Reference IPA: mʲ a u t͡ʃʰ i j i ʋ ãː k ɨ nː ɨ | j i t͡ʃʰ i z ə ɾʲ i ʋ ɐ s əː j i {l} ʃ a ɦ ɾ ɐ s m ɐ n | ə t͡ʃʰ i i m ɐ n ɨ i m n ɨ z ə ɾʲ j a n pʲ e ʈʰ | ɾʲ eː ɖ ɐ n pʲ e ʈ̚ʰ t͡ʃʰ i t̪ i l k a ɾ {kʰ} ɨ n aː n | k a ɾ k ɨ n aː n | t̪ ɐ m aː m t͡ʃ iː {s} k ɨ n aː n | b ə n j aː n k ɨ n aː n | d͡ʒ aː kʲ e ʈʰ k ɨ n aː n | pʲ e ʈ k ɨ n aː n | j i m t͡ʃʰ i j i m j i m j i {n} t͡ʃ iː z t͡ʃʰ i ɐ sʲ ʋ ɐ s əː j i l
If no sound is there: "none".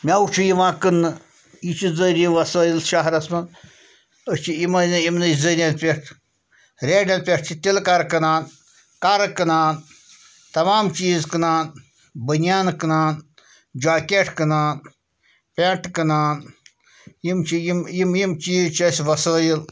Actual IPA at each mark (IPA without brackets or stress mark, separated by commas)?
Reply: l, k, z, m